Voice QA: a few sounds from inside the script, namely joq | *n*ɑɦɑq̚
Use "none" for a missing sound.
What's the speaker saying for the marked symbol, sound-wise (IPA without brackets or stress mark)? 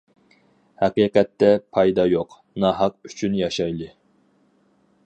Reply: n